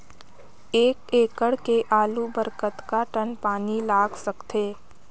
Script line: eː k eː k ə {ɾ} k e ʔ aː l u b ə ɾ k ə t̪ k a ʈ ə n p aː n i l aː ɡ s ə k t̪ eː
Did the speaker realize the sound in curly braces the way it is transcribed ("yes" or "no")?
no